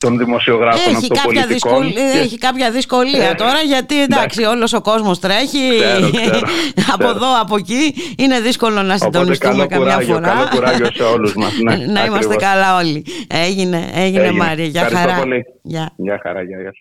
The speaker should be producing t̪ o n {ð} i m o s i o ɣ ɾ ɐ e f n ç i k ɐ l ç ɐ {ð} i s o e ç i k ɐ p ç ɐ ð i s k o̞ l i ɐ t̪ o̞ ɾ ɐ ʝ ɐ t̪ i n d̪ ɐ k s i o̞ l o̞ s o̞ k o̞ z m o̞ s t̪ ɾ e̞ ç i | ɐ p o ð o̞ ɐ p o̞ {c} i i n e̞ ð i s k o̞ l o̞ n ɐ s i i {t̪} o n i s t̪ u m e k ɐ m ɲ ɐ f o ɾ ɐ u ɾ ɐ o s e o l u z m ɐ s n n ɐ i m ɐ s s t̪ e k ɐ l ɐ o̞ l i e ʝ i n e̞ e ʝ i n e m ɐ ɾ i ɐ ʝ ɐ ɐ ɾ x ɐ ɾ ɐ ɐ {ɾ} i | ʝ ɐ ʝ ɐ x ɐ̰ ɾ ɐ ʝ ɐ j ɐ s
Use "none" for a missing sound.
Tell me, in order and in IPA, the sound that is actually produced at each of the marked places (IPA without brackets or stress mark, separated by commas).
ð, ð, c, d̪, l